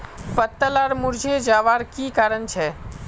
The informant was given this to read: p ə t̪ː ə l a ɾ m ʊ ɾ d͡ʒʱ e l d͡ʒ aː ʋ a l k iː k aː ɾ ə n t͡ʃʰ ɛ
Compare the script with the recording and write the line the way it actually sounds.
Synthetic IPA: p ə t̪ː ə l a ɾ m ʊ ɾ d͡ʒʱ e d͡ʒ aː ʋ a ɾ k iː k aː ɾ ə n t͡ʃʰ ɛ